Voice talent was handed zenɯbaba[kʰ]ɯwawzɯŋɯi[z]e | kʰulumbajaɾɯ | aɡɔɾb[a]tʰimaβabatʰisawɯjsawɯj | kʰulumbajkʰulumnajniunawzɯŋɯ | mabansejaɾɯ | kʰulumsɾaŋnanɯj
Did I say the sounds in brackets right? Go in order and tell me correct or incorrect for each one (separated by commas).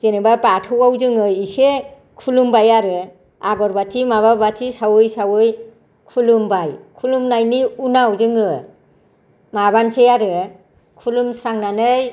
incorrect, incorrect, correct